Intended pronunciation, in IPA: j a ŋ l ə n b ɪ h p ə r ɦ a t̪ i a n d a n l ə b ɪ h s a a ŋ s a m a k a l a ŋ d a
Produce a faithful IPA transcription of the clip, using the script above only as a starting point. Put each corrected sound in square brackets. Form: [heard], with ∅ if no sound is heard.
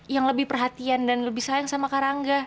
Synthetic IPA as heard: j a ŋ l ə [∅] b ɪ h p ə r ɦ a t̪ i a n d a n l ə b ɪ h s a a ŋ s a m a k a [ɾ] a ŋ [ɡ] a